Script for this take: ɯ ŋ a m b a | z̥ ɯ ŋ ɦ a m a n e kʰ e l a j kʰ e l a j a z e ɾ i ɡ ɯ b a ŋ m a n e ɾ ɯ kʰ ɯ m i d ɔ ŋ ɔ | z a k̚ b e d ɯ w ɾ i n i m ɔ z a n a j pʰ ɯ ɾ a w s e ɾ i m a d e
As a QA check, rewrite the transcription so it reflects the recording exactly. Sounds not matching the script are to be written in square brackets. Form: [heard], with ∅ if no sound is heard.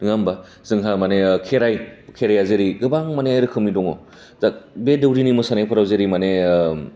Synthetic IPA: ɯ ŋ a m b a | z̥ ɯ ŋ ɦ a m a n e kʰ e [ɾ] a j kʰ e [ɾ] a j a z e ɾ i ɡ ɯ b a ŋ m a n e ɾ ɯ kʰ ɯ m i d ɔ ŋ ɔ | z a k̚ b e d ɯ w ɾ i n i m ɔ [s] a n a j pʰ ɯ ɾ a w [z] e ɾ i m a [n] e